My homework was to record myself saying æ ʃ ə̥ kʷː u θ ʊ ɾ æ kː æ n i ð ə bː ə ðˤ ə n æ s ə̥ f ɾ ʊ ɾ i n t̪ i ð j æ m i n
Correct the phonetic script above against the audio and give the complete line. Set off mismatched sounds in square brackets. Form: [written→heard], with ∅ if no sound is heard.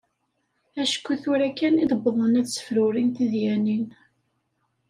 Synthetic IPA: æ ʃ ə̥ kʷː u θ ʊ ɾ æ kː æ n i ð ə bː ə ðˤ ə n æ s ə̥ f ɾ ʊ ɾ i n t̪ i ð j æ [m→n] i n